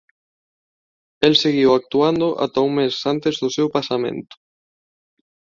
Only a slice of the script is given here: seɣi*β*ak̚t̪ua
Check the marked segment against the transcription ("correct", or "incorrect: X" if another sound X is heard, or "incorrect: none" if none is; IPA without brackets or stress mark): incorrect: w